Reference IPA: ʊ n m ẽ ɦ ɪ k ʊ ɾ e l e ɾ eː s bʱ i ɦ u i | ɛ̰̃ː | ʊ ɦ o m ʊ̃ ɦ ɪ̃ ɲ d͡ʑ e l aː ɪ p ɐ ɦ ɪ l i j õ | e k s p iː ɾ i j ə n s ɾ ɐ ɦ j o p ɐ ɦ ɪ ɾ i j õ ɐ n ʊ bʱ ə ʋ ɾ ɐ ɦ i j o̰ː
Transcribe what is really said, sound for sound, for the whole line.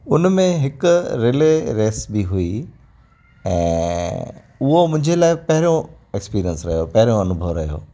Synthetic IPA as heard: ʊ n m ẽ ɦ ɪ k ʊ ɾ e l e ɾ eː s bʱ i ɦ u i | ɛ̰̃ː | ʊ ɦ o m ʊ̃ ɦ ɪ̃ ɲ d͡ʑ e l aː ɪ p ɐ ɦ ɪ ɾ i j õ | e k s p iː ɾ i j ə n s ɾ ɐ ɦ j o p ɐ ɦ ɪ ɾ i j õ ɐ n ʊ bʱ ə ʋ ɾ ɐ ɦ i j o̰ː